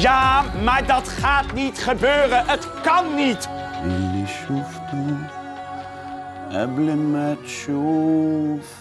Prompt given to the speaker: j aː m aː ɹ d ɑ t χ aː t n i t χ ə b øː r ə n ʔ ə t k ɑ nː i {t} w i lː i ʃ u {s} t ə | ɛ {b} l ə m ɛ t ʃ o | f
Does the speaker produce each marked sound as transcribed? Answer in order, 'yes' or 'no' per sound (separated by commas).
yes, no, yes